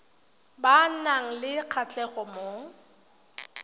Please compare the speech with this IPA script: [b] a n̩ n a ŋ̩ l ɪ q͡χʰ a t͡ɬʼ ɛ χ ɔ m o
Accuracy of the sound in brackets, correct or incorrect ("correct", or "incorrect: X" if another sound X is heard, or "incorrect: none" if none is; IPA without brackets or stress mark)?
correct